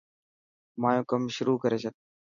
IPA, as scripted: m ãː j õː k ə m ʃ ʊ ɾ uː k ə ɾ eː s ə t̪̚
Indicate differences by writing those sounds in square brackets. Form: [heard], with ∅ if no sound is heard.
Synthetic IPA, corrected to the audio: m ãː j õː k ə m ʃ ʊ ɾ uː k ə ɾ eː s ə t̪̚